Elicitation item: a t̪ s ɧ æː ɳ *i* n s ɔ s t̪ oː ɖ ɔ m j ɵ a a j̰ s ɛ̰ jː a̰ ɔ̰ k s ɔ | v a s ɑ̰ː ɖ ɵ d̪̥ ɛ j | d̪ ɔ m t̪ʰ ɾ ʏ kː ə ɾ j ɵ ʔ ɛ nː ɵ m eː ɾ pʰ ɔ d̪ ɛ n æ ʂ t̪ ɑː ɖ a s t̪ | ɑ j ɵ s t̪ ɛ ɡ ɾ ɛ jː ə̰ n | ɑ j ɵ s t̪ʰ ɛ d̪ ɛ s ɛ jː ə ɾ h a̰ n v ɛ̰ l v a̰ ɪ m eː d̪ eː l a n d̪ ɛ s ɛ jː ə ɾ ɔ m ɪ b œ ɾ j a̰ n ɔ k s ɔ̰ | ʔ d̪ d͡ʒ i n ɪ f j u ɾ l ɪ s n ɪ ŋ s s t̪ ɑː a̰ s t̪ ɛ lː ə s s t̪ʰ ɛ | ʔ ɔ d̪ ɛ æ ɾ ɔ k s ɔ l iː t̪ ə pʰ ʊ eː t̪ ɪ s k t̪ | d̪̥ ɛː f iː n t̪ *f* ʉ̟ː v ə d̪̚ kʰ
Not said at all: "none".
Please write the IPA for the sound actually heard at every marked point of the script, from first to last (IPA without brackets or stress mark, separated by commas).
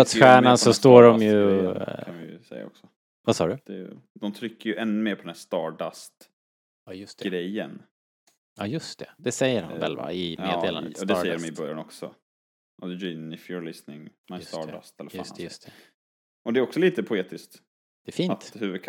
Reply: a, h